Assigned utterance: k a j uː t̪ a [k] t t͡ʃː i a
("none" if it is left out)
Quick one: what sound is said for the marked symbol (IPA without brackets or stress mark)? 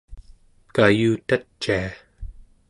none